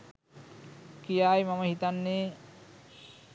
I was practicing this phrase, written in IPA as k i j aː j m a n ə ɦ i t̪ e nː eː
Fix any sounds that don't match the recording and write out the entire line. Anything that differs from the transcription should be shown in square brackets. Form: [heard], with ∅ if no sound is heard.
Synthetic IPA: k i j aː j m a [m] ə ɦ i t̪ [a] nː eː